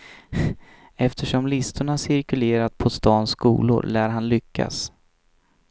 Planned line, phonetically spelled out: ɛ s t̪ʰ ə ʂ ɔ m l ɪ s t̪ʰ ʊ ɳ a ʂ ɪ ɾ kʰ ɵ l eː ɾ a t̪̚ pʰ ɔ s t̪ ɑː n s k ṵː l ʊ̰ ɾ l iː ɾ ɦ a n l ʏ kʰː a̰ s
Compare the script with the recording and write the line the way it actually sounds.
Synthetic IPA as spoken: ɛ f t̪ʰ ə ʂ ɔ m l ɪ s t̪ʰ ʊ ɳ a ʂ ɪ ɾ k ɵ l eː ɾ a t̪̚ pʰ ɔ s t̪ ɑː n s k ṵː l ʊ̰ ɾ l æː ɾ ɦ a n l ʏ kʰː a̰ s